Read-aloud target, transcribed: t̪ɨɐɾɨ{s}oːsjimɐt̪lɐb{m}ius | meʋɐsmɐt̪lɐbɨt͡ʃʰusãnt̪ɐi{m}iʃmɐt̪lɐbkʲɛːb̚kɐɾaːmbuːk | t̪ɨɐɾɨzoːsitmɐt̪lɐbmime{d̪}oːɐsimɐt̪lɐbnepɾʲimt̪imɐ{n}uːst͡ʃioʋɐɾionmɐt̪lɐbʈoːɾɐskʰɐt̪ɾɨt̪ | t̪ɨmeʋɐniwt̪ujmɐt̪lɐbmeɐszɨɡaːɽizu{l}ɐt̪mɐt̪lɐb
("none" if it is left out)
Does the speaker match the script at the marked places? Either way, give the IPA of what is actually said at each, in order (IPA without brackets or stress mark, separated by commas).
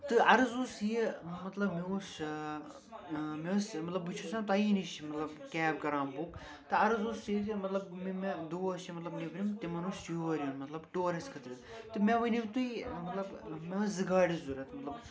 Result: z, m, n, d̪, n, ɾ